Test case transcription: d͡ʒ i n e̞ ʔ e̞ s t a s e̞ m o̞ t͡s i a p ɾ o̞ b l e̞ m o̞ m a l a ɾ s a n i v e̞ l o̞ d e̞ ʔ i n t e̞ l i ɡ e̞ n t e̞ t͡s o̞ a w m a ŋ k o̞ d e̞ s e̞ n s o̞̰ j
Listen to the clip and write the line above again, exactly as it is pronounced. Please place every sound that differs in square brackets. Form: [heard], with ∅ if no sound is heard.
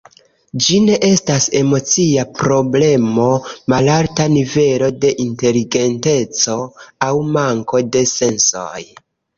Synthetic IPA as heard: d͡ʒ i n e̞ ʔ e̞ s t a s e̞ m o̞ t͡s i a p ɾ o̞ b l e̞ m o̞ m a l a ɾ [t] a n i v e̞ l o̞ d e̞ ʔ i n t e̞ l i ɡ e̞ n t e̞ t͡s o̞ a w m a ŋ k o̞ d e̞ s e̞ n s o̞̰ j